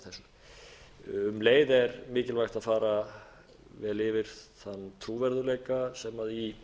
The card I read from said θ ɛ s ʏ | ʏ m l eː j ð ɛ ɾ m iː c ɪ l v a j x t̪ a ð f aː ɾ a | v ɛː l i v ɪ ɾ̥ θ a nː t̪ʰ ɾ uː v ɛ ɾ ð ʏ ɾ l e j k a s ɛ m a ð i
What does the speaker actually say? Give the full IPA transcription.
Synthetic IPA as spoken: θ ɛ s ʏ | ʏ m l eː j ð ɛ ɾ m ɪː c ɪ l v a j x t̪ a ð f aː ɾ a | v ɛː l ɪ v ɪ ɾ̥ θ a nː t̪ʰ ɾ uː v ɛ ɾ ð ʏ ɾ l e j k a s ɛ m a ð i